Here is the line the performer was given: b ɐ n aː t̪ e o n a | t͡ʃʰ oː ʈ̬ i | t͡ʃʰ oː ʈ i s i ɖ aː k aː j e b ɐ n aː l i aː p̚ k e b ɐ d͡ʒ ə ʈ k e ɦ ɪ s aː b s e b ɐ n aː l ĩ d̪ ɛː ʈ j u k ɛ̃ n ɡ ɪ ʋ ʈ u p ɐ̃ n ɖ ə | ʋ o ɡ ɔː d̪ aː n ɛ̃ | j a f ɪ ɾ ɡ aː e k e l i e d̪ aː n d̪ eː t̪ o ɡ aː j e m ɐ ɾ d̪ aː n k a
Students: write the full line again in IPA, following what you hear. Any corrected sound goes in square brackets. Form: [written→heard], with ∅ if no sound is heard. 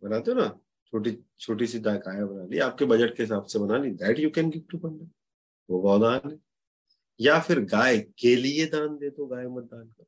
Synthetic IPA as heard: b ɐ n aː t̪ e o n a | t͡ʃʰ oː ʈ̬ i | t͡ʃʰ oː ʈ i s i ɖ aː k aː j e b ɐ n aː l i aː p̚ k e b ɐ d͡ʒ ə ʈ k e ɦ ɪ s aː b s e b ɐ n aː l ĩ d̪ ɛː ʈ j u k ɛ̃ n ɡ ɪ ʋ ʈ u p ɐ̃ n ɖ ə | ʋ o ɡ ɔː d̪ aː n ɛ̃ | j a f ɪ ɾ ɡ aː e k e l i e d̪ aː n d̪ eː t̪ o ɡ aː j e m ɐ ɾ d̪ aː n k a